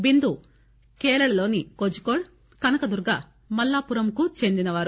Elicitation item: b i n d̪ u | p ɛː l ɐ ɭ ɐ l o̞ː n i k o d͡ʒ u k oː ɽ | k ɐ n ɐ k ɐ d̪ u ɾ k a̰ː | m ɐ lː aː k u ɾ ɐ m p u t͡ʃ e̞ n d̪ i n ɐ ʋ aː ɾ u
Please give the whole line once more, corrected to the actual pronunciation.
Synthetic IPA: b i n d̪ u | k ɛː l ɐ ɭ ɐ l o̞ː n i k o d͡ʒ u k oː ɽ | k ɐ n ɐ k ɐ d̪ u ɾ ɡ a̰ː | m ɐ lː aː p u ɾ ɐ m k u t͡ʃ e̞ n d̪ i n ɐ ʋ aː ɾ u

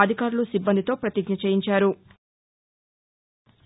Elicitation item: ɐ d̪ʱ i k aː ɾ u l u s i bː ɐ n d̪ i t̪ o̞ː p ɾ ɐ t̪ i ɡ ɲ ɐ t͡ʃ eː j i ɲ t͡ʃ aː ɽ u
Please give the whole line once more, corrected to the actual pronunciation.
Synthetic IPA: ɐ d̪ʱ i k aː ɾ u l u s i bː ɐ n d̪ i t̪ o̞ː p ɾ ɐ t̪ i ɡ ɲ ɐ t͡ʃ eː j i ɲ t͡ʃ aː ɾ u

